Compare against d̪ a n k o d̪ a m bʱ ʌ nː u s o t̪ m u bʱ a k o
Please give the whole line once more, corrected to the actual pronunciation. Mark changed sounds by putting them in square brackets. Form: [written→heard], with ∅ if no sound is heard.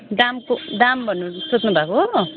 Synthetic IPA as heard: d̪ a [n→m] k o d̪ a m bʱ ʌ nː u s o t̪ [m→n] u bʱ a k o